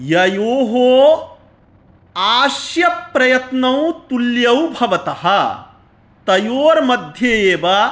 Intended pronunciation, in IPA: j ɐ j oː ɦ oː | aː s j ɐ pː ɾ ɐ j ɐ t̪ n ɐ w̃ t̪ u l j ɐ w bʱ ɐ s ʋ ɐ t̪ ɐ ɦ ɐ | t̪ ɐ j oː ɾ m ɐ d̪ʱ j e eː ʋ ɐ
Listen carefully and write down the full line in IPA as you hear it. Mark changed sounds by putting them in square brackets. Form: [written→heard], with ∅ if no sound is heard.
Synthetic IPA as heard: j ɐ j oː ɦ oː | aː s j ɐ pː ɾ ɐ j ɐ t̪ n ɐ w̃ t̪ u l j ɐ w bʱ ɐ [s→∅] ʋ ɐ t̪ ɐ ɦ ɐ | t̪ ɐ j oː ɾ m ɐ d̪ʱ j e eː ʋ ɐ